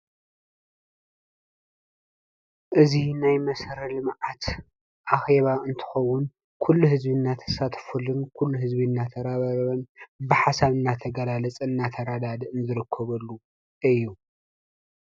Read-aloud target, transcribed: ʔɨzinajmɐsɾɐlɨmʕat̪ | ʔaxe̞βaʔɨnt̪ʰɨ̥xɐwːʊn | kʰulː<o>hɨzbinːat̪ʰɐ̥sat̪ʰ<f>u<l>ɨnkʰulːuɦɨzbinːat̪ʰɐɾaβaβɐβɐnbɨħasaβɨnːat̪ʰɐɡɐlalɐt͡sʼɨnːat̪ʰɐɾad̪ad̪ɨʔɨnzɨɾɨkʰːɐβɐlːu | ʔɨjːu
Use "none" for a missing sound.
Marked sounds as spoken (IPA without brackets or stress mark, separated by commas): u, f, l